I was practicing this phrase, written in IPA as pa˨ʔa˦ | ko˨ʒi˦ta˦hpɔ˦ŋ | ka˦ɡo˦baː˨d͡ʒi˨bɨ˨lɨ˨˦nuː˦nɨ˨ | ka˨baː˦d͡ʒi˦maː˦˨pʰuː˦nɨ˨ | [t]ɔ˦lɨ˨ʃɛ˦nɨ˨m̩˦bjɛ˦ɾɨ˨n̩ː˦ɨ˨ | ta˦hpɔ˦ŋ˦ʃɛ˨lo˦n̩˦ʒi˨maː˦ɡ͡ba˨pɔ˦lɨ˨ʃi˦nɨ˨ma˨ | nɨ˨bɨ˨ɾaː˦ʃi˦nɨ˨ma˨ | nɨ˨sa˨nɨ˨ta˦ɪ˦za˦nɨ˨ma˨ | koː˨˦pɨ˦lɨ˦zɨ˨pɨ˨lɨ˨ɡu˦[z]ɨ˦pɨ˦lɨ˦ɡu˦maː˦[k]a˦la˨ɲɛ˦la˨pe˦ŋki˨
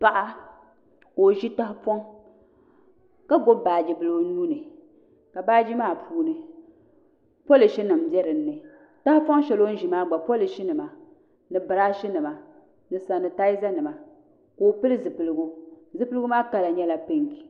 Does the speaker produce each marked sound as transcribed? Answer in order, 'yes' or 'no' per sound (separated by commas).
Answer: no, yes, yes